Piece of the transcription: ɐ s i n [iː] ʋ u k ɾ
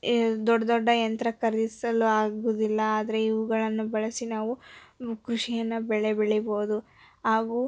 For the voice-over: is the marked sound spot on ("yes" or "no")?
no